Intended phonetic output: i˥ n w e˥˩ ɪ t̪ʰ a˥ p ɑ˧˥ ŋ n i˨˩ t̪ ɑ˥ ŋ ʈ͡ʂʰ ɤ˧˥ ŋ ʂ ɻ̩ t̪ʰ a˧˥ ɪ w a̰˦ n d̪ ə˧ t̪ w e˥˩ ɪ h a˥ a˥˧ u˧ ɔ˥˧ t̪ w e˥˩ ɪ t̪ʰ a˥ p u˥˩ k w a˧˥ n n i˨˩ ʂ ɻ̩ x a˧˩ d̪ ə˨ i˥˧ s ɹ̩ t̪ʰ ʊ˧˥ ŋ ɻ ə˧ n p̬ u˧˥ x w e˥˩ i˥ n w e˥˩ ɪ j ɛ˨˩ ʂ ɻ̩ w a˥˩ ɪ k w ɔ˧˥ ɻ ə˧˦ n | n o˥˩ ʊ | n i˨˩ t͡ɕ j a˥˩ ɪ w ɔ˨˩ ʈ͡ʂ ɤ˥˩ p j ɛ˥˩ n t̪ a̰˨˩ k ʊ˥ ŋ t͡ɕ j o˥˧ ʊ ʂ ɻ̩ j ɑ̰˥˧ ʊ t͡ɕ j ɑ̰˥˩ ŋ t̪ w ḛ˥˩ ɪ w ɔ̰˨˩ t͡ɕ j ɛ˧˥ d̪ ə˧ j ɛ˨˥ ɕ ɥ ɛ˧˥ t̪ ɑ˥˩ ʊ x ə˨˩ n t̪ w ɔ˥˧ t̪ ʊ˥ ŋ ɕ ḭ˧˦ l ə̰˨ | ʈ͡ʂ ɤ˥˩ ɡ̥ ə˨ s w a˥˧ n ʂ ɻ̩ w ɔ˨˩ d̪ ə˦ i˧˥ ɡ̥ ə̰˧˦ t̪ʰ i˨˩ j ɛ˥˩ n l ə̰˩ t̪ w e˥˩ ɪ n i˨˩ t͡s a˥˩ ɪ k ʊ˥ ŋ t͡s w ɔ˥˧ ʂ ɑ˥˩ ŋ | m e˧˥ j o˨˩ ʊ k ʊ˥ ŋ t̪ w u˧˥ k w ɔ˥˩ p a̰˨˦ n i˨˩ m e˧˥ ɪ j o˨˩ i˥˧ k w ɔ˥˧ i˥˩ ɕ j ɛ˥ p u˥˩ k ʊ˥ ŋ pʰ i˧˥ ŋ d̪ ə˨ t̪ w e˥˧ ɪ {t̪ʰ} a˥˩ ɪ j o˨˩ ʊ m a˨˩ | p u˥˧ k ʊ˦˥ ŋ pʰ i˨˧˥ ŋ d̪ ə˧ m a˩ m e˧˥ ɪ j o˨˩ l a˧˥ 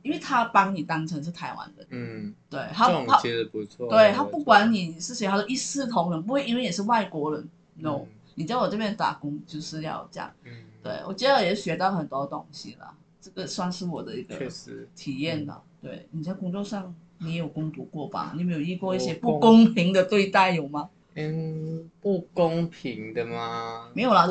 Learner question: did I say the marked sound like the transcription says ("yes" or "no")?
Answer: no